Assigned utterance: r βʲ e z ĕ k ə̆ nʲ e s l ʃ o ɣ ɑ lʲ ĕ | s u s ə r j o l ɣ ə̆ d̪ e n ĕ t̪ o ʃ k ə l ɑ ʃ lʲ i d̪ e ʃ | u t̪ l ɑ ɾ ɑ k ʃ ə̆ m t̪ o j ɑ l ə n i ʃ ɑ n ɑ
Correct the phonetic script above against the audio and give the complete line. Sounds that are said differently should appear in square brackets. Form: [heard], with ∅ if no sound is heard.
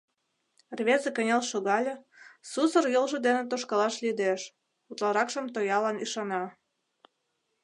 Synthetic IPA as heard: r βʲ e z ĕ k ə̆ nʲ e [∅] l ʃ o ɣ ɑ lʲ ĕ | s u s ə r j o l [ʒ] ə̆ d̪ e n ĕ t̪ o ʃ k [ɑ] l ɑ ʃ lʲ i d̪ e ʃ | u t̪ l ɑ ɾ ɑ k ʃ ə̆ m t̪ o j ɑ l [ɑ] n i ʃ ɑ n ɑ

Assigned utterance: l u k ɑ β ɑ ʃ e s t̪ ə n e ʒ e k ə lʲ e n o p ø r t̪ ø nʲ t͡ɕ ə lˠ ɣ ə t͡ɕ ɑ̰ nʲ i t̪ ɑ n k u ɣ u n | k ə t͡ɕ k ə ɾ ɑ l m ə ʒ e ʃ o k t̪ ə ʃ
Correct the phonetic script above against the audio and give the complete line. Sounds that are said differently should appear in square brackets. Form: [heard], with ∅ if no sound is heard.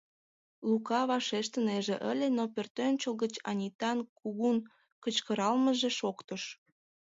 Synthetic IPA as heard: l u k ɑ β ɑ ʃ e [ʃ] t̪ ə n e ʒ e [ʔ] ə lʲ e n o p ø r t̪ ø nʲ t͡ɕ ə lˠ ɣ ə t͡ɕ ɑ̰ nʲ i t̪ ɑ n k u ɣ u n | k ə t͡ɕ k ə ɾ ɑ l m ə ʒ e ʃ o k t̪ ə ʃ

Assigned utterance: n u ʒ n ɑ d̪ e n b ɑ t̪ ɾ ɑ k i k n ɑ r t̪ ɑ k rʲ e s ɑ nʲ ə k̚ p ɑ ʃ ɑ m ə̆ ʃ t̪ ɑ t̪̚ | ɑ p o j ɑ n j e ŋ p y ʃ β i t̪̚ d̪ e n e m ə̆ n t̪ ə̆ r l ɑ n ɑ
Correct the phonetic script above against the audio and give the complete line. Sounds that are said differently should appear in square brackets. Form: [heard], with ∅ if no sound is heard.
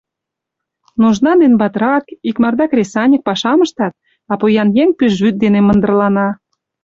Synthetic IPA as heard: n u ʒ n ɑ d̪ e n b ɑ t̪ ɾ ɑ k i k [m] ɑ r [d̪] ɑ k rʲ e s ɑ nʲ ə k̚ p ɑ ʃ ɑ m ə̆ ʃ t̪ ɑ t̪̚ | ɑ p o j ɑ n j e ŋ p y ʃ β [y] t̪̚ d̪ e n e m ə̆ n [d̪] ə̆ r l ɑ n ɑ

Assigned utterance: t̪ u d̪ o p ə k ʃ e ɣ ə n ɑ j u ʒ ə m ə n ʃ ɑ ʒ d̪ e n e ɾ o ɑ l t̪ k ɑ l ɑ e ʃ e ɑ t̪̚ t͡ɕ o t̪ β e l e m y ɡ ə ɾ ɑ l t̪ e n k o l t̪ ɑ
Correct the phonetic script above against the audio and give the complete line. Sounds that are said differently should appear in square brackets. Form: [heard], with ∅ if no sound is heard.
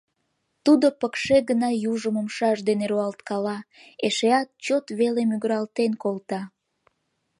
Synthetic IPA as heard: t̪ u d̪ o p ə k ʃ e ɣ ə n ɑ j u ʒ ə m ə [m] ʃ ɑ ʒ d̪ e n e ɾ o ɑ l t̪ k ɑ l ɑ e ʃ e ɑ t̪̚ t͡ɕ o t̪ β e l e m y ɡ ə ɾ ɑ l t̪ e n k o l t̪ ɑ

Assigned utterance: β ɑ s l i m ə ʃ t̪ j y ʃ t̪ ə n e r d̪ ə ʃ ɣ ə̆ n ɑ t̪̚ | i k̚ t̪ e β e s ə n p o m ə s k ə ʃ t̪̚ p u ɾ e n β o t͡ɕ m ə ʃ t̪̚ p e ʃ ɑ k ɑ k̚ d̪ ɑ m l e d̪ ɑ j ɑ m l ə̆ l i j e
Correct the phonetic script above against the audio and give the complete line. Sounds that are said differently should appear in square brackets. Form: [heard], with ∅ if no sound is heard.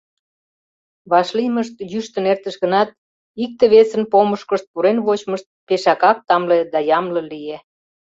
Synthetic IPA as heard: β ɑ [ʃ] l i m ə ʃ t̪ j y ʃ t̪ ə n e r [t̪] ə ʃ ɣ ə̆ n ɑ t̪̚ | i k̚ t̪ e β e s ə n p o m ə [ʃ] k ə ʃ t̪̚ p u ɾ e n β o t͡ɕ m ə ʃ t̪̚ p e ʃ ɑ k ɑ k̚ [t̪] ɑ m l e d̪ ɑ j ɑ m l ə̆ l i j e

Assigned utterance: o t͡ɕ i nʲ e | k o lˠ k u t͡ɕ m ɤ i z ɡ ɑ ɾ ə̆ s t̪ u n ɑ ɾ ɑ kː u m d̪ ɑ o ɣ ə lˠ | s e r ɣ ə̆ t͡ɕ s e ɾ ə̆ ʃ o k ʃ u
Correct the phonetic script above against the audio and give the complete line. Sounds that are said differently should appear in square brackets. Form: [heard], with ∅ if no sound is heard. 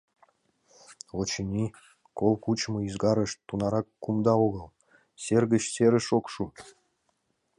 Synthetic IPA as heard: o t͡ɕ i nʲ [i] | k o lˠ k u t͡ɕ m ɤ i z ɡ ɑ ɾ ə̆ [ʃ] t̪ u n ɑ ɾ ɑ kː u m d̪ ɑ o ɣ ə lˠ | s e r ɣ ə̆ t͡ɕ s e ɾ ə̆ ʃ o k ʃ u

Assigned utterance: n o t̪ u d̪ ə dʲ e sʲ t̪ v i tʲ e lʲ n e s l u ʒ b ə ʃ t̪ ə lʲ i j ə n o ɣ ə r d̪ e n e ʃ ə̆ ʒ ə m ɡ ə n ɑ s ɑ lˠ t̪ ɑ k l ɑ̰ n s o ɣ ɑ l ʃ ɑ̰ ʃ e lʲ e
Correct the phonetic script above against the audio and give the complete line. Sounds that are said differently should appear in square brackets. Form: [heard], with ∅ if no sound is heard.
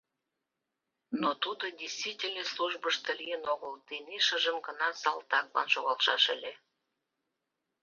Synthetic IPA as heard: n o t̪ u d̪ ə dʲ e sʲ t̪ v i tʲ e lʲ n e s l u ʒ b ə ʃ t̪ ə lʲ i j ə n o ɣ ə [l] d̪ e n e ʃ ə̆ ʒ ə m ɡ ə n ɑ s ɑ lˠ t̪ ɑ k l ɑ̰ n [ʃ] o ɣ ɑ l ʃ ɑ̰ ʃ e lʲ e

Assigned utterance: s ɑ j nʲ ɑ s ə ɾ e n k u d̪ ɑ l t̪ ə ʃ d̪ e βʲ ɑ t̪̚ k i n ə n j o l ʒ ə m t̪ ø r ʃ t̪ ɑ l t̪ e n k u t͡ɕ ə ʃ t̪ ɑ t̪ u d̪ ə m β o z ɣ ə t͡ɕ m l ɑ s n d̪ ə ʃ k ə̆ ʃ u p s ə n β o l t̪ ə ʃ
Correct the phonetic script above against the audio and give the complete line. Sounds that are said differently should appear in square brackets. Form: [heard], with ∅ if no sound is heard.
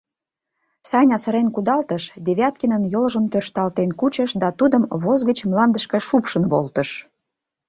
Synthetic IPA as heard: s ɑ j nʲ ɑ s ə ɾ e n k u d̪ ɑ l t̪ ə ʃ d̪ e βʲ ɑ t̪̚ k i n ə n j o l ʒ ə m t̪ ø r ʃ t̪ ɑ l t̪ e n k u t͡ɕ ə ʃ [d̪] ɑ t̪ u d̪ ə m β o z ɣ ə t͡ɕ m l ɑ [∅] n d̪ ə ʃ k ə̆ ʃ u p [ʃ] ə n β o l t̪ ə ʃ

